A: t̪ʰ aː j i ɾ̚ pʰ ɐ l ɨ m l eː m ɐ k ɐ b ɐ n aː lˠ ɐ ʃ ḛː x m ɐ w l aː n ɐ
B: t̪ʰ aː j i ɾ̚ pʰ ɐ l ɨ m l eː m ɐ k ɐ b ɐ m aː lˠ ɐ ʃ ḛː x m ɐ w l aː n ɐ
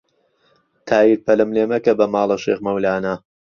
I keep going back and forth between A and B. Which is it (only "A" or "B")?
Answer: B